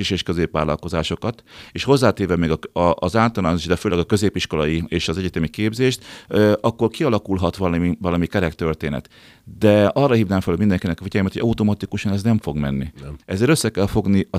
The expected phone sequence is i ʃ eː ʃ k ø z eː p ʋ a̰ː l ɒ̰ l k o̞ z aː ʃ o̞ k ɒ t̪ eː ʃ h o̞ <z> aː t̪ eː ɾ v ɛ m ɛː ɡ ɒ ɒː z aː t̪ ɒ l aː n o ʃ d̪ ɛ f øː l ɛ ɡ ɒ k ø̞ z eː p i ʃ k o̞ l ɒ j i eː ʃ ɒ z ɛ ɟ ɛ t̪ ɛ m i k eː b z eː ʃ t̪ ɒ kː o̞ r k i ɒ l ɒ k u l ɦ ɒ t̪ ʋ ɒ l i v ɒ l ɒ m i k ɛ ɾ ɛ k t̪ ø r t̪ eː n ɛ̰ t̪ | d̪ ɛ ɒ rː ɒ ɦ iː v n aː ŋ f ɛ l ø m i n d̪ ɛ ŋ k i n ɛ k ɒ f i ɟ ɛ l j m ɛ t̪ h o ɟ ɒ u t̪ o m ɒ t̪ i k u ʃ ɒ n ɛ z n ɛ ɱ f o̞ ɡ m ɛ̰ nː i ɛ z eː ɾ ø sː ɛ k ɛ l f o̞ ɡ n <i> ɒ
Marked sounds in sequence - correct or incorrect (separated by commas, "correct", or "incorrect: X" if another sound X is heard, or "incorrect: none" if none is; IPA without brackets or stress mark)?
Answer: incorrect: zː, correct